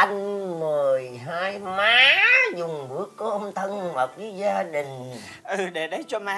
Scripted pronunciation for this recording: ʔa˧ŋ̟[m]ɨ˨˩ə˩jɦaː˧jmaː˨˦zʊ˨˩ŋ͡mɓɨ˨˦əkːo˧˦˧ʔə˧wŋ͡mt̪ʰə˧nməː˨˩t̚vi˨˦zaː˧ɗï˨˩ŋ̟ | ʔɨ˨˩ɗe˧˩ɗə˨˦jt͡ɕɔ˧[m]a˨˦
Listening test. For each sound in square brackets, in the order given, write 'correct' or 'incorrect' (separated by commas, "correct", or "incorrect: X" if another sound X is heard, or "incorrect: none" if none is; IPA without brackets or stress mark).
correct, correct